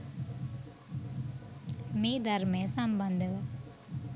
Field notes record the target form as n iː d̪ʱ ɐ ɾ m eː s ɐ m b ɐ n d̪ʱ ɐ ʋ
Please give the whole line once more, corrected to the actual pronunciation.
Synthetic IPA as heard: m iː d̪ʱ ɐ ɾ m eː s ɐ m b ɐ n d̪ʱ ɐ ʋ